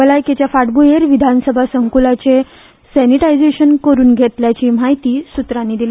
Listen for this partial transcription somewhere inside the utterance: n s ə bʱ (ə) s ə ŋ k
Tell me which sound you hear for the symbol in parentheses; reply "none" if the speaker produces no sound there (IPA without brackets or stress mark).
a